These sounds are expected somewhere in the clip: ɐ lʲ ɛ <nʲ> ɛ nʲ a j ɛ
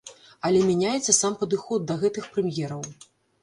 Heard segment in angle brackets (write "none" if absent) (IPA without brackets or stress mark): mʲ